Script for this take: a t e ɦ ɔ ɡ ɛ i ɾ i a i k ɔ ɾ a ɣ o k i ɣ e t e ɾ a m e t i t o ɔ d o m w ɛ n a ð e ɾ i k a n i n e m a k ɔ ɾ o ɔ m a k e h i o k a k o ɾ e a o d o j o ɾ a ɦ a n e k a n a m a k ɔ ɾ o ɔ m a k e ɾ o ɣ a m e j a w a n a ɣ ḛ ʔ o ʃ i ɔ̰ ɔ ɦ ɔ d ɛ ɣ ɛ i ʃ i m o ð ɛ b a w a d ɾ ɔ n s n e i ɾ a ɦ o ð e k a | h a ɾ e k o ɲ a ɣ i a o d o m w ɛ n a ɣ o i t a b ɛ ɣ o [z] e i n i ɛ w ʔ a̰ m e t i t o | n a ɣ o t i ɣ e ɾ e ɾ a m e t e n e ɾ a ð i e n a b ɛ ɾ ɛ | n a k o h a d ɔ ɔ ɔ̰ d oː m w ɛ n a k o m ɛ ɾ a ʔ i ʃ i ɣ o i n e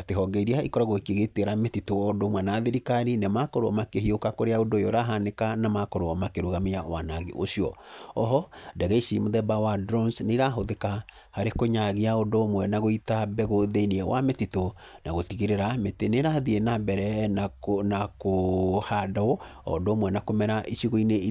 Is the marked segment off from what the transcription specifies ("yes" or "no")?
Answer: yes